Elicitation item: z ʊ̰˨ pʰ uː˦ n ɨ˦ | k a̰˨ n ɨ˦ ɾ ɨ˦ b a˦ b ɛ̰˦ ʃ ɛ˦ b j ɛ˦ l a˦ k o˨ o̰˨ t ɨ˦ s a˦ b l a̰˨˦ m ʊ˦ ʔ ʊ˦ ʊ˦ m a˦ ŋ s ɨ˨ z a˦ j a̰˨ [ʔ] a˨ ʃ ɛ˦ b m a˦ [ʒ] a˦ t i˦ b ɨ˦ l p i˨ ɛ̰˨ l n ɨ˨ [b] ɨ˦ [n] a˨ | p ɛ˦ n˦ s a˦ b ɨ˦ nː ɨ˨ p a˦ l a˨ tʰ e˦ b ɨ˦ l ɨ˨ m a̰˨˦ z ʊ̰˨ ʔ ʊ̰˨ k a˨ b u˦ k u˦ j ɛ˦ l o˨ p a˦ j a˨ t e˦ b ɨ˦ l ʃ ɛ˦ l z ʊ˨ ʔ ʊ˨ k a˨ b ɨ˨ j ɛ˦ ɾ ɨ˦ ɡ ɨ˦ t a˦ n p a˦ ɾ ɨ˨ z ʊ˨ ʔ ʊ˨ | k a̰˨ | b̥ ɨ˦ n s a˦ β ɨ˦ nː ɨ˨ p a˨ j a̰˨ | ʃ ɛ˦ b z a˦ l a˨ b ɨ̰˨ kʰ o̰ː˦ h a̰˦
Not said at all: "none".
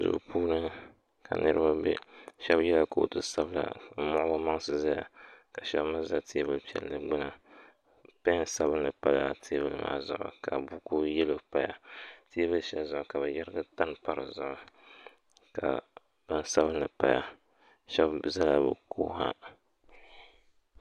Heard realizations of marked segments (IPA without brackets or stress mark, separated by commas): k, z, ɡ͡b, n